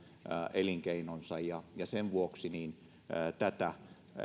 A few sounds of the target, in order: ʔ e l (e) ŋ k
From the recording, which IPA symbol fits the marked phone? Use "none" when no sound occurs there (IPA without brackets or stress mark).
i